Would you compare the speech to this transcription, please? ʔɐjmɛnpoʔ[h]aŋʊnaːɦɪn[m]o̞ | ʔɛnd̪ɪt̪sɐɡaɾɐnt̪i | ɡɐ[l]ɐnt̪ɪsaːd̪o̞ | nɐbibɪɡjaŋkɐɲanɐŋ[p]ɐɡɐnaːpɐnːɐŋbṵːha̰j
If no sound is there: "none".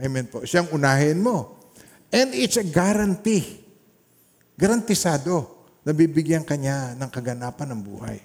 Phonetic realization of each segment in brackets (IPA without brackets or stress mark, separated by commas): ʃ, m, ɾ, k